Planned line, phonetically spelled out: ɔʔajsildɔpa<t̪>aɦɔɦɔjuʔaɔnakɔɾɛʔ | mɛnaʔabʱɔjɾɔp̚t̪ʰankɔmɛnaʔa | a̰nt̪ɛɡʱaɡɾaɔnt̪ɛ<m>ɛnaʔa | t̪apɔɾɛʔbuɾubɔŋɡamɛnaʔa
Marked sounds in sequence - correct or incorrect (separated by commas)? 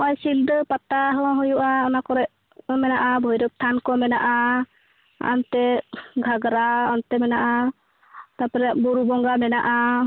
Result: correct, correct